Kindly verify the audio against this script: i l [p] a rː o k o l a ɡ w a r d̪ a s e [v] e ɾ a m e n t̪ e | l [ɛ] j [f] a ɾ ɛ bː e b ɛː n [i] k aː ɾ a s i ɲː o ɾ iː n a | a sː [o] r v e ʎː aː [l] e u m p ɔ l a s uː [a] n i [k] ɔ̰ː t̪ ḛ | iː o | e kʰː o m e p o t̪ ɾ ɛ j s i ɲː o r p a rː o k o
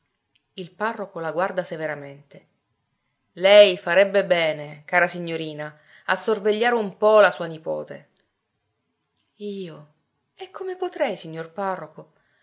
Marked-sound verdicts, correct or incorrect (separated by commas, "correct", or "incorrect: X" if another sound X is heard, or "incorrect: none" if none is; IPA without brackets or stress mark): correct, correct, correct, correct, incorrect: e, correct, incorrect: ɾ, correct, incorrect: p